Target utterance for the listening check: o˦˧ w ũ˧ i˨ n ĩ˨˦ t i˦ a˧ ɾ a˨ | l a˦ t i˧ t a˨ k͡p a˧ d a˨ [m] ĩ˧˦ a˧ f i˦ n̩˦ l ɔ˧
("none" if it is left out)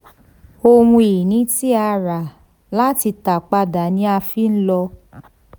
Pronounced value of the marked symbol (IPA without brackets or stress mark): n